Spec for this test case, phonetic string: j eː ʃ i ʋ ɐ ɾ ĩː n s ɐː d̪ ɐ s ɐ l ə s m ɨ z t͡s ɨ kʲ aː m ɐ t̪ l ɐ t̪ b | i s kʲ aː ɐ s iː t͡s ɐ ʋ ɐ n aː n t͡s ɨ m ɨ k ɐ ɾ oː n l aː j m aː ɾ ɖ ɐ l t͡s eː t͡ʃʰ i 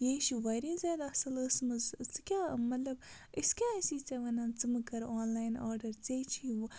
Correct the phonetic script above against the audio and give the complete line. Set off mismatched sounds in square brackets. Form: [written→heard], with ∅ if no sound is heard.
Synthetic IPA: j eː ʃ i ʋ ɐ ɾ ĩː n [s→z] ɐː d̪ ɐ s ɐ l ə s m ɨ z t͡s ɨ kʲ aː m ɐ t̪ l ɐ [t̪→∅] b | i s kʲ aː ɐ s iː t͡s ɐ ʋ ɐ n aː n t͡s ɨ m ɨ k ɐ ɾ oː n l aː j [m→n] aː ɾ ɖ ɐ [l→ɾ] t͡s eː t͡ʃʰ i